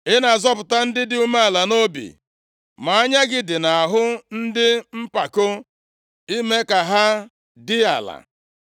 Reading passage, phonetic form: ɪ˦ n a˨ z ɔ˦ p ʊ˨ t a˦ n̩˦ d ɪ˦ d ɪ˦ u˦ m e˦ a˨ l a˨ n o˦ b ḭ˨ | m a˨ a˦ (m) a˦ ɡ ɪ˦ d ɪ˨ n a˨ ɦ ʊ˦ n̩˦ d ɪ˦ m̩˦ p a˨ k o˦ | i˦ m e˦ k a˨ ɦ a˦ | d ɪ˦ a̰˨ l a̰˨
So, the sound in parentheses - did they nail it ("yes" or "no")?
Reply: no